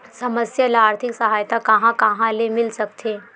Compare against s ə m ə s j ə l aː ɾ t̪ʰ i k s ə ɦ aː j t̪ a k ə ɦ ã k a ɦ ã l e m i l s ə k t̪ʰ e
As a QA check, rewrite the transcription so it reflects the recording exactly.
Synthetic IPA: s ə m ə s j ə l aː ɾ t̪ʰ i k s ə ɦ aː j t̪ a k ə ɦ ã k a ɦ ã l e m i l s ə k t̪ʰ e